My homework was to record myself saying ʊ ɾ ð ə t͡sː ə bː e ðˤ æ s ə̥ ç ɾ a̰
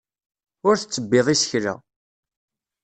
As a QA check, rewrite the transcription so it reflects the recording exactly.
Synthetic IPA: ʊ ɾ θ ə t͡sː ə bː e ðˤ i s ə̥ ç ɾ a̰